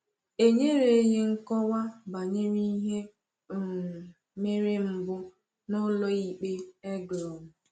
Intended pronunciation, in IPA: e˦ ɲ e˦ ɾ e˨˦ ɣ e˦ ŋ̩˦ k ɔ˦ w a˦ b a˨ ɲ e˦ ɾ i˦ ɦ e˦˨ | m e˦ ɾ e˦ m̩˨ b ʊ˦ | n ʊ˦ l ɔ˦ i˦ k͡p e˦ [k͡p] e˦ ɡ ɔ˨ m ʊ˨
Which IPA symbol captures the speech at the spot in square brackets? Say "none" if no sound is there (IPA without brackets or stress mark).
none